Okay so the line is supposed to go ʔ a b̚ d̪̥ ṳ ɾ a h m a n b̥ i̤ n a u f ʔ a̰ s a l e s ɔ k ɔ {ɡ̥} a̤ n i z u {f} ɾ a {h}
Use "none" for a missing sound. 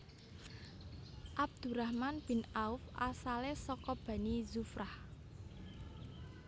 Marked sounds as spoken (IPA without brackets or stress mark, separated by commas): b̥, f, h